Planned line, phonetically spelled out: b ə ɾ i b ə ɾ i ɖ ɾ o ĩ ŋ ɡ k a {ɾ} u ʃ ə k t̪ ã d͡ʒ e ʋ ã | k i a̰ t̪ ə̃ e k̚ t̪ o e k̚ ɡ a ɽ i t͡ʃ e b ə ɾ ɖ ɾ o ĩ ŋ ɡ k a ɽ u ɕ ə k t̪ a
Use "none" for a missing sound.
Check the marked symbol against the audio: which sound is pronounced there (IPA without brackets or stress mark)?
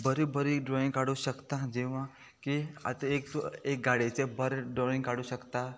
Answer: ɽ